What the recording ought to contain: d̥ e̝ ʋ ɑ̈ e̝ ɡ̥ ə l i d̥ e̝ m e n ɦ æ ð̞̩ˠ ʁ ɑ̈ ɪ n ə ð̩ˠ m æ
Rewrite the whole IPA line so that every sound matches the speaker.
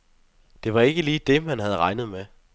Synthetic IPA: d̥ e̝ ʋ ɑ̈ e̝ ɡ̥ ə l iː d̥ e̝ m æ n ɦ æ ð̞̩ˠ ʁ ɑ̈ ɪ n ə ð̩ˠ m e